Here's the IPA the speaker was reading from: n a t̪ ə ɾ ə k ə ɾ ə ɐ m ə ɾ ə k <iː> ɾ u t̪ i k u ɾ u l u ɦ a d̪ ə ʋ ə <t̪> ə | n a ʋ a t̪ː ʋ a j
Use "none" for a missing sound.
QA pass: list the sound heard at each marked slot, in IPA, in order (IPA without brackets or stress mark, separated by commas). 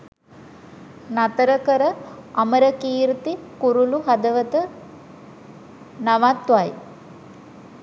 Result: iː, t̪